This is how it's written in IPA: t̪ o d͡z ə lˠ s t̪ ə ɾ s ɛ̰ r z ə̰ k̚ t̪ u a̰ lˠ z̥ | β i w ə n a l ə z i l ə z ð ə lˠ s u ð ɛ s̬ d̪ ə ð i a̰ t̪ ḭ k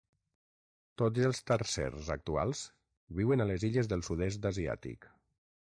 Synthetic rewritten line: t̪ o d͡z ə lˠ s t̪ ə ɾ s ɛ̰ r z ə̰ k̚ t̪ u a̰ lˠ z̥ | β i w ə n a l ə z i ʎ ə z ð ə lˠ s u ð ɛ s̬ d̪ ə z i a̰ t̪ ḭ k